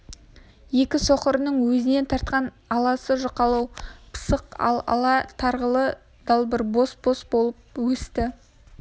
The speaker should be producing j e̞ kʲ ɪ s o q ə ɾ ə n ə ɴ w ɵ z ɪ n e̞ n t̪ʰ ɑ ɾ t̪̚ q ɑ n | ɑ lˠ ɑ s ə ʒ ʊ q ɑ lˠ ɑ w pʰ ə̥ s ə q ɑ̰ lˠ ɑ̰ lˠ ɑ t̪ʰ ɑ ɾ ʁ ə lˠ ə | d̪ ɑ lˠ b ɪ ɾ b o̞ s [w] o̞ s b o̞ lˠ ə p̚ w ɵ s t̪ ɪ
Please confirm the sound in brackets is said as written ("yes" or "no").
no